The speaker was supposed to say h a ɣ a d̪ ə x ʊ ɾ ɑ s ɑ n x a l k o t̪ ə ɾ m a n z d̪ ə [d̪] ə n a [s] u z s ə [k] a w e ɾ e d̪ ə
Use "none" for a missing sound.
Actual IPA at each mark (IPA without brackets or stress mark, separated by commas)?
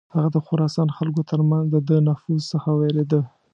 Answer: d̪, f, x